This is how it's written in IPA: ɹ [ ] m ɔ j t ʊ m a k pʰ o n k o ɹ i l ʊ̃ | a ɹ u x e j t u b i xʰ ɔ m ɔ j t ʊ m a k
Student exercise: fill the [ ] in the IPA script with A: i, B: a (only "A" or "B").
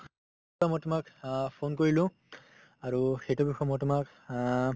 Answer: B